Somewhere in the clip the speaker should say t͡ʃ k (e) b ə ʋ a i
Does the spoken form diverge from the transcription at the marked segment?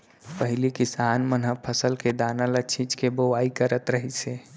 no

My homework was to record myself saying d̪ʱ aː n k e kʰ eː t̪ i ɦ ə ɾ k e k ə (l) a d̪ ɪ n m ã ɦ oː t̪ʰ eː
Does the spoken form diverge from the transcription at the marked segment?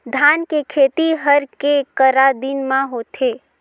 yes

